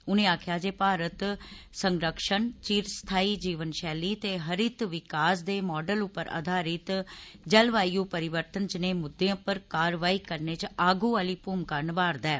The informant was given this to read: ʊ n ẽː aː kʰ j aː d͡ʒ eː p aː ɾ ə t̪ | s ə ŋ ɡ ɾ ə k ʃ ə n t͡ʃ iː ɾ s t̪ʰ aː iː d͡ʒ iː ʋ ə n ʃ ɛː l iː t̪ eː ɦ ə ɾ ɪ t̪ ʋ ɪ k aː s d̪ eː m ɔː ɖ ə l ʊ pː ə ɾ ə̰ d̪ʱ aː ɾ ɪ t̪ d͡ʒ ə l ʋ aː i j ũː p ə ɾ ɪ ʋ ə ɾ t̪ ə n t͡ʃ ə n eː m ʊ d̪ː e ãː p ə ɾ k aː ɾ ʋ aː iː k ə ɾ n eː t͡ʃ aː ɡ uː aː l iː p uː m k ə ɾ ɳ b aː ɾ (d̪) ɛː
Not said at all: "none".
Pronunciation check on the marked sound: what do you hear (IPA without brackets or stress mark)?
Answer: d̪